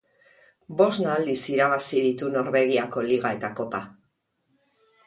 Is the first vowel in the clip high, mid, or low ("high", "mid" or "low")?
mid